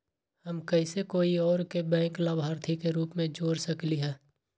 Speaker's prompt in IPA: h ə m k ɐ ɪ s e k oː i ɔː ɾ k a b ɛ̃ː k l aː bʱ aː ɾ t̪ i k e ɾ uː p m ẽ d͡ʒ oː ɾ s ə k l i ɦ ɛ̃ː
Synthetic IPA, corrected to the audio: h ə m k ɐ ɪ s e k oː i ɔː ɾ k e b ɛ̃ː k l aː bʱ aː ɾ t̪ʰ i k e ɾ uː p m ẽ d͡ʒ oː ɾ s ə k l i ɦ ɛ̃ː